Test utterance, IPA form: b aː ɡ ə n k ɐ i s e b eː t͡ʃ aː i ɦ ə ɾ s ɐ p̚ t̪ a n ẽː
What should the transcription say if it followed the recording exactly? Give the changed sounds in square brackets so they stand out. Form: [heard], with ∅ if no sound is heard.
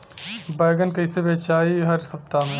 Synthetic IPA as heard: b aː ɡ ə n k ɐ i s e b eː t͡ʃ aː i ɦ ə ɾ s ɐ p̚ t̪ a [m] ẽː